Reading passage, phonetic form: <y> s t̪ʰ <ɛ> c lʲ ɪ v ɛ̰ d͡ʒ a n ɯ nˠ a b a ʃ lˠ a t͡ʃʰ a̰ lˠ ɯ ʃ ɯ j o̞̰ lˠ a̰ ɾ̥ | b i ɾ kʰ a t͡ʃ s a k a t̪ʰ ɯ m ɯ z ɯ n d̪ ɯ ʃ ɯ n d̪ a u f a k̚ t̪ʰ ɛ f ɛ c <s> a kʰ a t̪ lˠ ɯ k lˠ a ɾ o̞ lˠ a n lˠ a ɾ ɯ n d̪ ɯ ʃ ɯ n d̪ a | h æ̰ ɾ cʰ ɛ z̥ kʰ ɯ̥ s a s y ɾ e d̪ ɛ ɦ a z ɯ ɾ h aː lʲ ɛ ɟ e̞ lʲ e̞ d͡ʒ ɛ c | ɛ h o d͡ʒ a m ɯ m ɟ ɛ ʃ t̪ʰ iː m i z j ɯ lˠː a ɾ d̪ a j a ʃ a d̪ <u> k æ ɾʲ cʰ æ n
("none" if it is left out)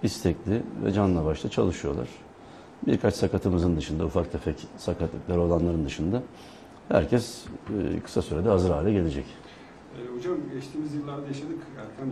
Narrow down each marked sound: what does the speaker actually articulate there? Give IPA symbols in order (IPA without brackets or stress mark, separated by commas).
i, ɛ, s, ɯ